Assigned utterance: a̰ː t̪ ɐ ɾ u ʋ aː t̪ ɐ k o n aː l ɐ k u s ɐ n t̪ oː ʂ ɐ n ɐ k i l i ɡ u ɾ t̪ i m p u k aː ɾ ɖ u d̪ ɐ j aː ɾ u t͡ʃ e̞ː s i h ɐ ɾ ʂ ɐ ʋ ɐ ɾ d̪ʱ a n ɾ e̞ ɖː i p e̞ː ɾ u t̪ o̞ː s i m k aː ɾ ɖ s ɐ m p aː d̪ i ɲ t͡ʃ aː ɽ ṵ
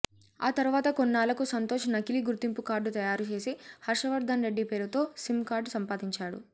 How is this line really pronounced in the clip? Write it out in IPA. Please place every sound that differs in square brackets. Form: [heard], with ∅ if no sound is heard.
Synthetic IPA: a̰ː t̪ ɐ ɾ u ʋ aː t̪ ɐ k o [nː] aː l ɐ k u s ɐ n t̪ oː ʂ ɐ n ɐ k i l i ɡ u ɾ t̪ i m p u k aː ɾ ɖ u [t̪] ɐ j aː ɾ u t͡ʃ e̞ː s i h ɐ ɾ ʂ ɐ ʋ ɐ ɾ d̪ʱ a n ɾ e̞ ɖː i p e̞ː ɾ u t̪ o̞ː s i m k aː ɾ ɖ s ɐ m p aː d̪ i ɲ t͡ʃ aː ɽ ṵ